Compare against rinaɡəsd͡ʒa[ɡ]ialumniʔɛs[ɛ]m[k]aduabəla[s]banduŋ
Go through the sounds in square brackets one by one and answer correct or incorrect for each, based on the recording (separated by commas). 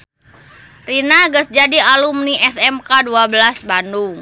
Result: incorrect, correct, correct, correct